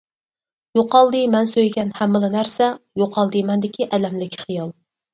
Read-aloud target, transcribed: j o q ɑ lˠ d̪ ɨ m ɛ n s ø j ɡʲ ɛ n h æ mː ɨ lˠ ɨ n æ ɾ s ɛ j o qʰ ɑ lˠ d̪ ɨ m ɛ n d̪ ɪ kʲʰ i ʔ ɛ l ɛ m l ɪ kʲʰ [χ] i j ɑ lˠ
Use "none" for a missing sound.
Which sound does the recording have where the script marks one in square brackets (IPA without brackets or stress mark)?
χ